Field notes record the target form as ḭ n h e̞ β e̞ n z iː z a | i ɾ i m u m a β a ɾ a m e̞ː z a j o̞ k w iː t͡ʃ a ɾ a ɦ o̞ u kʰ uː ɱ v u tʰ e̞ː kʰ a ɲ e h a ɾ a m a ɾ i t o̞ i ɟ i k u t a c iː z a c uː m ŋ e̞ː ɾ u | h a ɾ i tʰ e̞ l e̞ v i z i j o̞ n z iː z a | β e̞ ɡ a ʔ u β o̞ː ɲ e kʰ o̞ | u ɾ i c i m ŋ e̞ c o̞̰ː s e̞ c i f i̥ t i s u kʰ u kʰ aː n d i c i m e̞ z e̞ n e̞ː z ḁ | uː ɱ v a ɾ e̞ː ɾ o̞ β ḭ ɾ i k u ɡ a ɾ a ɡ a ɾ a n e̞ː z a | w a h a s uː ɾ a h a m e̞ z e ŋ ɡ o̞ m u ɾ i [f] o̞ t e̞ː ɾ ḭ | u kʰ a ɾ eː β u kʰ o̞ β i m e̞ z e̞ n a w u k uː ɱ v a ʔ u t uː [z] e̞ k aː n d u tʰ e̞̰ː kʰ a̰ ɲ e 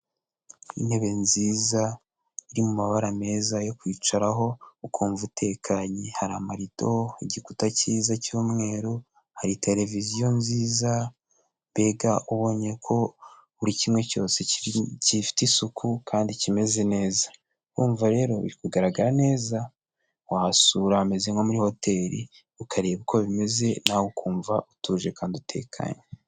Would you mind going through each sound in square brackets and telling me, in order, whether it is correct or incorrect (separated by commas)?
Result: incorrect, incorrect